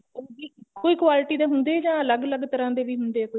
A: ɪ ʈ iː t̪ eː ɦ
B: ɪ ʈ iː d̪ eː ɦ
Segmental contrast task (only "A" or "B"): B